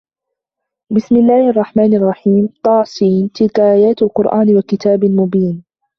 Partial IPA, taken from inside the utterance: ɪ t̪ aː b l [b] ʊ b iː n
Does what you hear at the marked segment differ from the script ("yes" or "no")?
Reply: yes